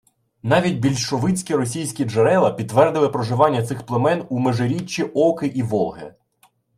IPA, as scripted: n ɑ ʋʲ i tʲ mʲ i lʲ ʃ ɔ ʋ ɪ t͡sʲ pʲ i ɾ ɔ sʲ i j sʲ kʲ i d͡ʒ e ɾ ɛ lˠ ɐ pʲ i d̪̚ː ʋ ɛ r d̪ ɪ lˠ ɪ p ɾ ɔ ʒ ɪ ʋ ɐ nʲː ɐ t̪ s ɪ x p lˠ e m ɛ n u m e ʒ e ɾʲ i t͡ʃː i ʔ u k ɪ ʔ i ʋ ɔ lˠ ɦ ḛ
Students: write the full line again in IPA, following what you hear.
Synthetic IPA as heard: n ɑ ʋʲ i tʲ bʲ i lʲ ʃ ɔ ʋ ɪ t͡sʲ kʲ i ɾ ɔ sʲ i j sʲ kʲ i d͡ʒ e ɾ ɛ lˠ ɐ pʲ i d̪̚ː ʋ ɛ r d̪ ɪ lˠ ɪ p ɾ ɔ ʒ ɪ ʋ ɑ nʲː ɐ t̪ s ɪ x p lˠ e m ɛ n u m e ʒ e ɾʲ i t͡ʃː i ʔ ɔ k ɪ ʔ i ʋ ɔ lˠ ɦ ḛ